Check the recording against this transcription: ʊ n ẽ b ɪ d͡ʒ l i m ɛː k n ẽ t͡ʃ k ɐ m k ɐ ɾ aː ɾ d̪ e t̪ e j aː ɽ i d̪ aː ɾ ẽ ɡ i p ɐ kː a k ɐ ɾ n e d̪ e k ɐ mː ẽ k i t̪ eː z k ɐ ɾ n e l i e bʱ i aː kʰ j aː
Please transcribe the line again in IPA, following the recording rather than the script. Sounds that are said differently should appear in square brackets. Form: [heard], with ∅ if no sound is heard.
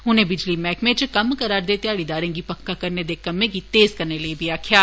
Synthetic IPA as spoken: ʊ n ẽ b ɪ d͡ʒ l i m ɛː k [m] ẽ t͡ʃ k ɐ m k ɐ ɾ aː ɾ d̪ e t̪ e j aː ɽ i d̪ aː ɾ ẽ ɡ i p ɐ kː a k ɐ ɾ n e d̪ e k ɐ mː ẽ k i t̪ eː z k ɐ ɾ n e l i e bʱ i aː kʰ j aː